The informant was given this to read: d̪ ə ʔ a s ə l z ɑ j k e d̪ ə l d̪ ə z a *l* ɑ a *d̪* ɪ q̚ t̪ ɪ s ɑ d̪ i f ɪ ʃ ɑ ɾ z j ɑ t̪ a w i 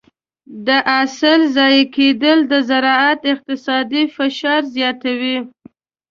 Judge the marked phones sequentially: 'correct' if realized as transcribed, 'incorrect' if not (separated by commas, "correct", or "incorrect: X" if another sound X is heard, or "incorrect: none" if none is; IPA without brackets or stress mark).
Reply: incorrect: ɾ, incorrect: t̪